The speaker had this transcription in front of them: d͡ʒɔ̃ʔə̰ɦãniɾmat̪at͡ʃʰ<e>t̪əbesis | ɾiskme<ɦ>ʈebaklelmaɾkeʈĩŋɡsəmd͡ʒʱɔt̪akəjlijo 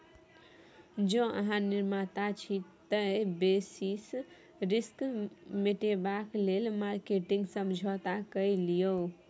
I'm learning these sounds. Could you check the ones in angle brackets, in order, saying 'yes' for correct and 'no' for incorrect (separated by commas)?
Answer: no, no